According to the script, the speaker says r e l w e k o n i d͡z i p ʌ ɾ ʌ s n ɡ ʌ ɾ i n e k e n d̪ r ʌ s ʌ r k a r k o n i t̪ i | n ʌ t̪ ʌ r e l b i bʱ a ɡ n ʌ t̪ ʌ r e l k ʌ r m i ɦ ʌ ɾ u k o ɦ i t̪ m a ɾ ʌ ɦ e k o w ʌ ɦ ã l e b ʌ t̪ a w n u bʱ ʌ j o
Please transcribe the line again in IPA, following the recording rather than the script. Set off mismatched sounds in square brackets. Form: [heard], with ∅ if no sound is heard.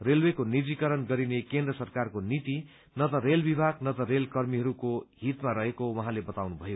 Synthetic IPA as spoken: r e l w e k o n i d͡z i [k] ʌ ɾ ʌ [∅] n ɡ ʌ ɾ i n e k e n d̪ r ʌ s ʌ r k a r k o n i t̪ i | n ʌ t̪ ʌ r e l b i bʱ a ɡ n ʌ t̪ ʌ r e l k ʌ r m i ɦ ʌ ɾ u k o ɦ i t̪ m a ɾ ʌ ɦ e k o w ʌ ɦ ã l e b ʌ t̪ a w n u bʱ ʌ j o